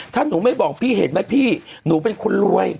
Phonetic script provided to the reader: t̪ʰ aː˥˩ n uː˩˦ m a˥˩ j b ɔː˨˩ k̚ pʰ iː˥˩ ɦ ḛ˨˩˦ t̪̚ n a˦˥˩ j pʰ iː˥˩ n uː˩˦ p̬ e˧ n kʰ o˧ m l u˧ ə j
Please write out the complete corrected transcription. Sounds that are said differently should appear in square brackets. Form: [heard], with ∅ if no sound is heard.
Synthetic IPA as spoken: t̪ʰ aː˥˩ n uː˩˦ m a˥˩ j b ɔː˨˩ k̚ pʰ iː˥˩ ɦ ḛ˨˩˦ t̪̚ [m] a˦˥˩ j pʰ iː˥˩ n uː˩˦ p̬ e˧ n kʰ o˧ [n] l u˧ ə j